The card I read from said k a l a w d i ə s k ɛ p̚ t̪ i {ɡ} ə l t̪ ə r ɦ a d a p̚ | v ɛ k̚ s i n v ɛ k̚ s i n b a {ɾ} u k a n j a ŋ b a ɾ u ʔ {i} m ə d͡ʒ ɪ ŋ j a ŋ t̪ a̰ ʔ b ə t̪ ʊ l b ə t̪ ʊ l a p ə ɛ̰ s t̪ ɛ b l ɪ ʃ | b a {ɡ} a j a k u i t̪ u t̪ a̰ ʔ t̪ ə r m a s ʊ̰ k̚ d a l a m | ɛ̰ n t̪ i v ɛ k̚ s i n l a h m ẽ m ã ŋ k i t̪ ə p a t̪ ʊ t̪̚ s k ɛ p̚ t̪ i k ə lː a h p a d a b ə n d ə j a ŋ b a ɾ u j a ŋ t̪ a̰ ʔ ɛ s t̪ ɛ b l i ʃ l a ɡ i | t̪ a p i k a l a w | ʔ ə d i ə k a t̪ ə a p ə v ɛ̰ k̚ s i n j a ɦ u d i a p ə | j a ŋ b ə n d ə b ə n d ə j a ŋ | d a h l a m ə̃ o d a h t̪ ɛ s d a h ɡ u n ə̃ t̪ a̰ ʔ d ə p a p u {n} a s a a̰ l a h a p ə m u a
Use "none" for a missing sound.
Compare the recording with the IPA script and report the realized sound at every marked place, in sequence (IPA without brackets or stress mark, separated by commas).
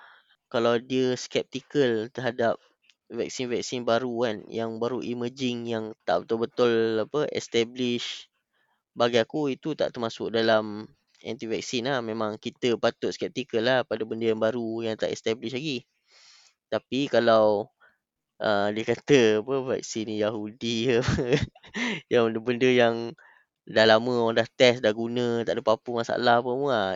k, ɾ, i, ɡ, m